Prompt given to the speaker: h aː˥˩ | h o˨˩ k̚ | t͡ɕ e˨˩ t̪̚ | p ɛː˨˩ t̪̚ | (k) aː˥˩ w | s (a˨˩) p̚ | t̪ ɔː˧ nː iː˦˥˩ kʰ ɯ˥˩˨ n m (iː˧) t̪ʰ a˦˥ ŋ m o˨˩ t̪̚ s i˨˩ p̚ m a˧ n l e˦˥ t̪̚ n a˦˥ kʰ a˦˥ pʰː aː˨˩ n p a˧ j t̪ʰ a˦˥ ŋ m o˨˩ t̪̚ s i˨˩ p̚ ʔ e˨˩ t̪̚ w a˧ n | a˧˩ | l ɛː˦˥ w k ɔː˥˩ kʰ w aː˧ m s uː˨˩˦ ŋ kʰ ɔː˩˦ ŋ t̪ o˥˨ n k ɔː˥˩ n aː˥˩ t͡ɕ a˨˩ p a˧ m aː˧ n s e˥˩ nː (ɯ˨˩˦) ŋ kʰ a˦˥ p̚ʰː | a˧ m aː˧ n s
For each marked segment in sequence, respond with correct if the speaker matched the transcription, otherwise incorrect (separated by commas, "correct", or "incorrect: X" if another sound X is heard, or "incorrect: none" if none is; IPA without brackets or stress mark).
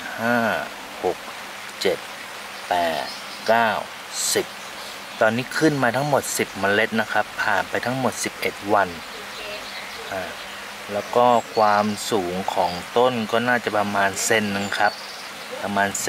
correct, incorrect: i˨˩, incorrect: aː˧, incorrect: ɯ˨